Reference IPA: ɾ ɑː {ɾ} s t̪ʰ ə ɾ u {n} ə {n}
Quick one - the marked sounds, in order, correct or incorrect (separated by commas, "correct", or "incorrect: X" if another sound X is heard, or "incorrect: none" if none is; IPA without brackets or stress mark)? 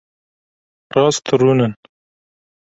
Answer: incorrect: none, correct, correct